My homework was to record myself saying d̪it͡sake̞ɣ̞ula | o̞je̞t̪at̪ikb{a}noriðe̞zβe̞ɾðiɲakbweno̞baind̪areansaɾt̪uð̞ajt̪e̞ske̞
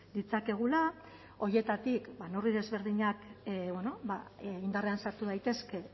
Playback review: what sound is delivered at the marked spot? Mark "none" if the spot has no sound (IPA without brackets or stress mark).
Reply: a